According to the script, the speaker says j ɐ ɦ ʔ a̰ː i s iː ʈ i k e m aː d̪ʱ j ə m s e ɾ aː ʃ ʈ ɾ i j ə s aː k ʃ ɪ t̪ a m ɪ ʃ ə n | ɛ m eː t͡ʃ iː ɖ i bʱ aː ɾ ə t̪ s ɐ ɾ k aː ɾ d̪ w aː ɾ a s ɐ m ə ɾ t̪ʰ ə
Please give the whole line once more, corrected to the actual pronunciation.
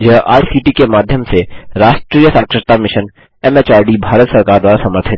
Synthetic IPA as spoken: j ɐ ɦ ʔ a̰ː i s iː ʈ i k e m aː d̪ʱ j ə m s e ɾ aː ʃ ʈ ɾ i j ə s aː k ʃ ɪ t̪ a m ɪ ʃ ə n | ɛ m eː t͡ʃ aː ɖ i bʱ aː ɾ ə t̪ s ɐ ɾ k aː ɾ d̪ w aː ɾ a s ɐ m ə ɾ t̪ʰ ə

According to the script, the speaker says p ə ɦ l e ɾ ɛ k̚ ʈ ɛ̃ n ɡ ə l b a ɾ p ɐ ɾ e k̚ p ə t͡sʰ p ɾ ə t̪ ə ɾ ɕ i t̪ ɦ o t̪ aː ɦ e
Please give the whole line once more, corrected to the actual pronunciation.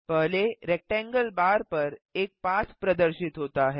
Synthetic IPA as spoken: p ə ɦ l e ɾ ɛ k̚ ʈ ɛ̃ ŋ ɡ ə l b a ɾ p ə ɾ e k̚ p a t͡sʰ p ɾ ə d̪ ə ɾ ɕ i t̪ ɦ o t̪ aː ɦ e

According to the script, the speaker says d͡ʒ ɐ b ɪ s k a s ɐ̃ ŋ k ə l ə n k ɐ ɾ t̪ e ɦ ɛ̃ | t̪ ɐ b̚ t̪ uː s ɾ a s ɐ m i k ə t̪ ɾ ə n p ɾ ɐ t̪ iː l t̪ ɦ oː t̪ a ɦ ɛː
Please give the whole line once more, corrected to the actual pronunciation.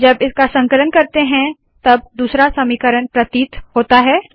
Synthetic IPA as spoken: d͡ʒ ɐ b ɪ s k a s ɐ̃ ŋ k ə l ə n k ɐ ɾ t̪ e ɦ ɛ̃ | t̪ ɐ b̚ d̪ uː s ɾ a s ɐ m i k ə ɾ ə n p ɾ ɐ t̪ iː t̪ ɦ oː t̪ a ɦ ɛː

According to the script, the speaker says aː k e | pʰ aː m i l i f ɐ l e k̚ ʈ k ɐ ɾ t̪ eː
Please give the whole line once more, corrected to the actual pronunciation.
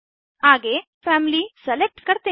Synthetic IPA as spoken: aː ɡ e | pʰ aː m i l i s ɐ l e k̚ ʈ k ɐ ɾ t̪ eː

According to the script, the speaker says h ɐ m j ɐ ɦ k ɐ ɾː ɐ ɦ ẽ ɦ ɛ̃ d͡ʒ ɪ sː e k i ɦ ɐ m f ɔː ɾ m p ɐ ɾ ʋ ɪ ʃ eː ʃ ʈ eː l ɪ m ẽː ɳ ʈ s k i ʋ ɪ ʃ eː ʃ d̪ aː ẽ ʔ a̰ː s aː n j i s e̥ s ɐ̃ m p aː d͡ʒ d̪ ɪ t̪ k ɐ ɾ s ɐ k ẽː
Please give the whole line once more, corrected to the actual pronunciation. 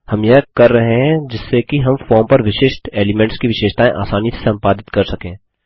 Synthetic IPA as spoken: h ɐ m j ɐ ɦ k ɐ ɾː ɐ ɦ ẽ ɦ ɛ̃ d͡ʒ ɪ sː e k i ɦ ɐ m f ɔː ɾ m p ɐ ɾ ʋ ɪ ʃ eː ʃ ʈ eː l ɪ m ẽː ɳ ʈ s k i ʋ ɪ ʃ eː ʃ t̪ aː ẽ ʔ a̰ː s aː n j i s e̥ s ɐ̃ m p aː d̪ ɪ t̪ k ɐ ɾ s ɐ k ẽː

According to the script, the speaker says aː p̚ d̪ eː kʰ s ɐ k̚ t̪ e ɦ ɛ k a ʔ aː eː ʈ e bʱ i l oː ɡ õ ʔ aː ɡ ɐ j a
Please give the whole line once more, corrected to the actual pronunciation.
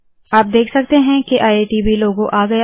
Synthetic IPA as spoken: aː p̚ d̪ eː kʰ s ɐ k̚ t̪ e ɦ ɛ̃ k e ʔ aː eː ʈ i bʱ i l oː ɡ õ ʔ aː ɡ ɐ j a

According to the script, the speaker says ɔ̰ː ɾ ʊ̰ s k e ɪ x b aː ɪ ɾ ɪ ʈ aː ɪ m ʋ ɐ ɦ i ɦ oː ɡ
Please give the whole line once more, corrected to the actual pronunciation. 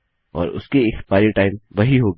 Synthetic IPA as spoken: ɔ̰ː ɾ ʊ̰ s k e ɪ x p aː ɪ ɾ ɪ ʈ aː ɪ m ʋ ɐ ɦ i ɦ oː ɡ

